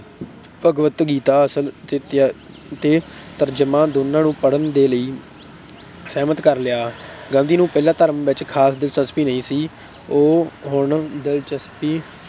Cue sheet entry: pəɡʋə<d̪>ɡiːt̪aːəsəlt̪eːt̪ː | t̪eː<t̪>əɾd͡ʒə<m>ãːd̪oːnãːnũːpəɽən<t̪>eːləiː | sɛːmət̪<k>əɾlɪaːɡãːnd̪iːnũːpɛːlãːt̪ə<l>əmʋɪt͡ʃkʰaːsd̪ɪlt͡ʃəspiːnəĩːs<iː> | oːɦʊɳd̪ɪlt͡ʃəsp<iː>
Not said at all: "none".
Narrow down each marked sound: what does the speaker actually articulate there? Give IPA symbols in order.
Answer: t̪, t̪, m, d̪, k, ɾ, iː, iː

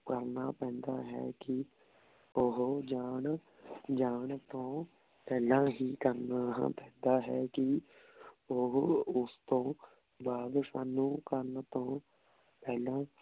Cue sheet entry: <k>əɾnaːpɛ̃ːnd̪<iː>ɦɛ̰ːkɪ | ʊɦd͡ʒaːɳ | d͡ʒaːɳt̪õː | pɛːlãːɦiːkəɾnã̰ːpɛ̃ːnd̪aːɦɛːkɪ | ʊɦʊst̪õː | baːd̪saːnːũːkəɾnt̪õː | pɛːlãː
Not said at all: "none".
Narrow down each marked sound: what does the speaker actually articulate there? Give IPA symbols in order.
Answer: k, aː

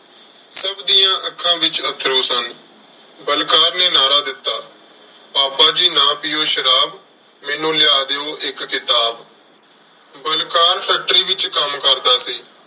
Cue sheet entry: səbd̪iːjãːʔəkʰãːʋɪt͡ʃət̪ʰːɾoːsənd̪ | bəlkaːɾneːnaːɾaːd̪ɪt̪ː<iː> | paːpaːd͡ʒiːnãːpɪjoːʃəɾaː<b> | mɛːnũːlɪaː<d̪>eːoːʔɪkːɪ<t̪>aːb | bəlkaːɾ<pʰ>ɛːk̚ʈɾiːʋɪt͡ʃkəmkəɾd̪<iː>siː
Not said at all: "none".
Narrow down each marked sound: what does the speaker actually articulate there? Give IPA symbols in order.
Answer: aː, b, d̪, t̪, pʰ, aː

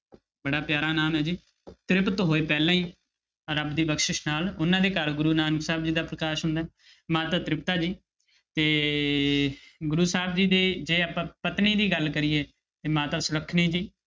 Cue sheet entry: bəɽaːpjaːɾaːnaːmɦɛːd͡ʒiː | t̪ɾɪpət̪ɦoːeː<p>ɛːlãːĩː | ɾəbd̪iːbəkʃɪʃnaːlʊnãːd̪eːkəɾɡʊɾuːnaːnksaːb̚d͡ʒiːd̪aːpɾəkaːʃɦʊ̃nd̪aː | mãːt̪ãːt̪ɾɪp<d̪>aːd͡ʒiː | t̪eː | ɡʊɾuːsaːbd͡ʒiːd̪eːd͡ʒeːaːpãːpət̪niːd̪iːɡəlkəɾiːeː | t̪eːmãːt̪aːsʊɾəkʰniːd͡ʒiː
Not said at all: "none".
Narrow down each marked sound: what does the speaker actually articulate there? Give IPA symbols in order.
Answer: p, t̪

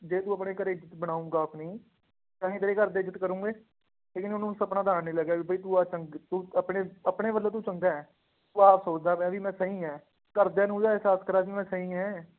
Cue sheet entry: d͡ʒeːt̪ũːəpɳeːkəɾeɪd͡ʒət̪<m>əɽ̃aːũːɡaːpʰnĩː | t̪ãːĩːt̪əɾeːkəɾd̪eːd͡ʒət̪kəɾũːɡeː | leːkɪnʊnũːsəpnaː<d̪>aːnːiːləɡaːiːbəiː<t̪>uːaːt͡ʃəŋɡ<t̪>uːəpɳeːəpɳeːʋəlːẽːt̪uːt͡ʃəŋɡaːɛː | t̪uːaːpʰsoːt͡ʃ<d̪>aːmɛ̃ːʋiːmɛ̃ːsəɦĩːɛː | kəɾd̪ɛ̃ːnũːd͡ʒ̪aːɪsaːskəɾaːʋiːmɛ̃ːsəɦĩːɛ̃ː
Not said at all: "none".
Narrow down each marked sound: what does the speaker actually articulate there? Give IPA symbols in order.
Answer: b, d̪, t̪, t̪, d̪

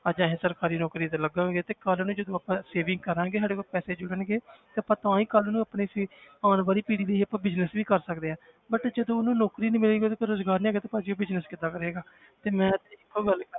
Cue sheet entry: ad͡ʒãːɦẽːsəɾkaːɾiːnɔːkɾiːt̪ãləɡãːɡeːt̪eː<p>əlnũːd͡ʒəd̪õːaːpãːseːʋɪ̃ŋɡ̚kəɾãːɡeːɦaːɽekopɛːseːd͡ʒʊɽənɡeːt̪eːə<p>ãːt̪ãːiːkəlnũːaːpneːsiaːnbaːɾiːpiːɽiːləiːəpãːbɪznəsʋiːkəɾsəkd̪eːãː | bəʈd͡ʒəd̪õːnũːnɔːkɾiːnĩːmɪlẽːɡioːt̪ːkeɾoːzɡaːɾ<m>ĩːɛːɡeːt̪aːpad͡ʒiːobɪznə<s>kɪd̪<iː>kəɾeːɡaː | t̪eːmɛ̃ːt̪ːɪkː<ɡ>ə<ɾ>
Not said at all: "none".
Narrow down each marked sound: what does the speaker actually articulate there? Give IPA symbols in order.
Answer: k, p, n, s, aː, ɡ, l

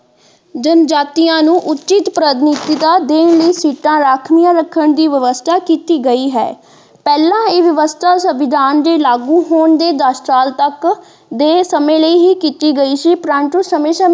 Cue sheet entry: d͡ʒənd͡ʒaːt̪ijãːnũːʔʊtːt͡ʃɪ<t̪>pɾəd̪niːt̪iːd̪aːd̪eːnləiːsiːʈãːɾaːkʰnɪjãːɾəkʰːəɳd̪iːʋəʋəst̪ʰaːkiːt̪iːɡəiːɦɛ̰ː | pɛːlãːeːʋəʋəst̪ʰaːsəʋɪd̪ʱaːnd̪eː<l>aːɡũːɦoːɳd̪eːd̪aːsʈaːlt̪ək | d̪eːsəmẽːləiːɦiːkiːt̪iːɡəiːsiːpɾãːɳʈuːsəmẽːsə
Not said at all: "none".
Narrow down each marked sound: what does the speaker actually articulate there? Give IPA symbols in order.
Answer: t̪, l

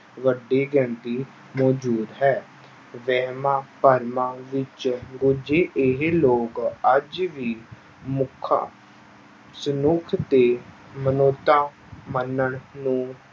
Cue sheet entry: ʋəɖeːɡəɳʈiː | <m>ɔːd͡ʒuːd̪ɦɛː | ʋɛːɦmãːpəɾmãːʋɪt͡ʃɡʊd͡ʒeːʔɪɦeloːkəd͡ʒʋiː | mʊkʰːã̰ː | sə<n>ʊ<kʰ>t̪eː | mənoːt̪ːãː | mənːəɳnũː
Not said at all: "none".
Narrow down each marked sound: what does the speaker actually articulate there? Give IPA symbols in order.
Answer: m, n, kʰ

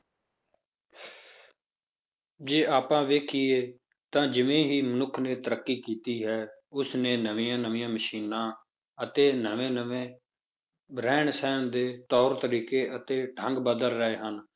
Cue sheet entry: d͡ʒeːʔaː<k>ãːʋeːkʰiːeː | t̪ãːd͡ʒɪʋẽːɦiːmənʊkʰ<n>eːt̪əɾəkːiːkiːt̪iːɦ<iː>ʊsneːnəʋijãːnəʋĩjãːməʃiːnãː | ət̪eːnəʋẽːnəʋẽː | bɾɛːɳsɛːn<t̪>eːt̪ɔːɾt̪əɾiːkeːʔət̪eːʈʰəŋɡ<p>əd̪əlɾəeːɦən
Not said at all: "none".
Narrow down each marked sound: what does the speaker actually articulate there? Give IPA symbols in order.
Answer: p, n, ɛː, d̪, b

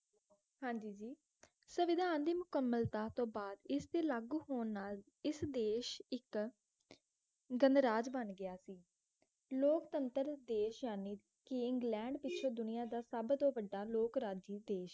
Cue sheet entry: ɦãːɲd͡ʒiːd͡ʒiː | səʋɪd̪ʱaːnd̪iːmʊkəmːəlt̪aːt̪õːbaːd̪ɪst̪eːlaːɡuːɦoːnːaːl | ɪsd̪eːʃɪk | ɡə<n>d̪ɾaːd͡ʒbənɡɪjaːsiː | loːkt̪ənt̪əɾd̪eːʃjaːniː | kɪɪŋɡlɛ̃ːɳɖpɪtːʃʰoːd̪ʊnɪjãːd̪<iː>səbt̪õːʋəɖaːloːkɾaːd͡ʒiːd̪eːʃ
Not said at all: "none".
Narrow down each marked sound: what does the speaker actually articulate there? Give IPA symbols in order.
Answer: n, aː

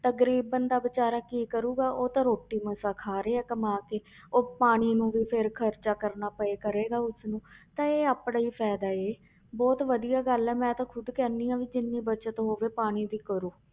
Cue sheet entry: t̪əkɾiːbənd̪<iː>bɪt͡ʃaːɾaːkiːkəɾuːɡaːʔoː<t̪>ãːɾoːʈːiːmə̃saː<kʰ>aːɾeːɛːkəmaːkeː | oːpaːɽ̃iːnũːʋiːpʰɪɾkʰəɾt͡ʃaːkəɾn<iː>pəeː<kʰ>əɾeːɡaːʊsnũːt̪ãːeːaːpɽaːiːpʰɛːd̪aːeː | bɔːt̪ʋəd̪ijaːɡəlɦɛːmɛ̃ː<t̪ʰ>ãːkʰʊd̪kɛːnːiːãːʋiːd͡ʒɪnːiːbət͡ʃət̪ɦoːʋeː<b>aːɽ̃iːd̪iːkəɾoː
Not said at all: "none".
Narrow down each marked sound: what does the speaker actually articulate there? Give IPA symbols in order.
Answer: aː, t̪, kʰ, aː, k, t̪, p

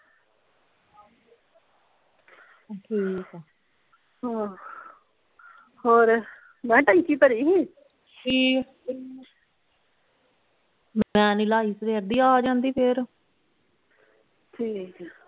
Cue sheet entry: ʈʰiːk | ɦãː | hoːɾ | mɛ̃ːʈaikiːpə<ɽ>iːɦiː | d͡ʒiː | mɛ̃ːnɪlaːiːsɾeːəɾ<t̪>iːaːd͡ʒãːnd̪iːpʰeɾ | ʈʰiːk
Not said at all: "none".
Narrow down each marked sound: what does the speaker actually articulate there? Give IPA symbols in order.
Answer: ɾ, d̪

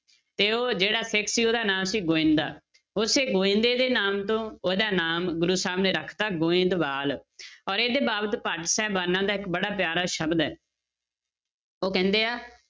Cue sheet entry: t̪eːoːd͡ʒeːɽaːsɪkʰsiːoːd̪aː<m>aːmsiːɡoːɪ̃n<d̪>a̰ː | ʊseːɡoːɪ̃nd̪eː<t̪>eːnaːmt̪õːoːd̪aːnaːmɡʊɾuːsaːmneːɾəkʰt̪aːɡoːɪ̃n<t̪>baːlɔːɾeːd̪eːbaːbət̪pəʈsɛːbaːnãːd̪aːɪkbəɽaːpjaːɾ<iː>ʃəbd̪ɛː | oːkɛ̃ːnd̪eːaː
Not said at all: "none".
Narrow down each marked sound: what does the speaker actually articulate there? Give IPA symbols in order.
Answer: n, d̪, d̪, d̪, aː

